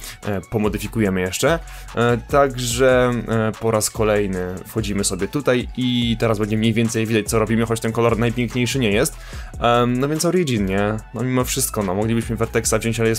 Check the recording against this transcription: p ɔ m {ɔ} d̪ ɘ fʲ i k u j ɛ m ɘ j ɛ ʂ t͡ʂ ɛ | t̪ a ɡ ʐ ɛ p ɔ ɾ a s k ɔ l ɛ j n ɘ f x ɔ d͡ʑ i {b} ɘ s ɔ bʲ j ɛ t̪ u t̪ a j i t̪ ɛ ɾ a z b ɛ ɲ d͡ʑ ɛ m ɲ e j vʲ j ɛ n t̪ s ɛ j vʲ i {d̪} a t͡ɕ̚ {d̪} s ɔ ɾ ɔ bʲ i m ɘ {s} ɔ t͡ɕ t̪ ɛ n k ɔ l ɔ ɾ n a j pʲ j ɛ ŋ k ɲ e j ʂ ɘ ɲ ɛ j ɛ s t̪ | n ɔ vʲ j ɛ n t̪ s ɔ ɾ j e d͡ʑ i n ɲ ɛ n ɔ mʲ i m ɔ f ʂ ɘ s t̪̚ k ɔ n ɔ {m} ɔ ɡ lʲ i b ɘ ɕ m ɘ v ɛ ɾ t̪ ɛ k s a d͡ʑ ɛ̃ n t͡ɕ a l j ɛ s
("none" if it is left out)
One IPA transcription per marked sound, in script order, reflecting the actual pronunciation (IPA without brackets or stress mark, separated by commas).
ɔ, m, d̪, t̪, x, m